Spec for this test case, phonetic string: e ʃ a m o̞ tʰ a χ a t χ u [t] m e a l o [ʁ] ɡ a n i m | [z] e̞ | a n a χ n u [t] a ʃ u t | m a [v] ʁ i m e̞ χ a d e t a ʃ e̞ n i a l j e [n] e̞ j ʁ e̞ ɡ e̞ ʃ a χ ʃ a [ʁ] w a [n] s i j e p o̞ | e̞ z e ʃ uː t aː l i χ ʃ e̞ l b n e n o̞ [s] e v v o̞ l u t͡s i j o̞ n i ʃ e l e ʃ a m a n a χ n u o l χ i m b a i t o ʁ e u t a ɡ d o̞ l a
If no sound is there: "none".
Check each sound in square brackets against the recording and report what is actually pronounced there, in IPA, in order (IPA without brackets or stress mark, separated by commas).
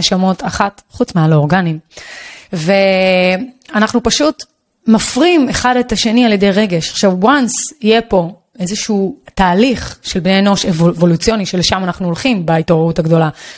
t͡s, ʁ, v, p, f, d, v, n, ʃ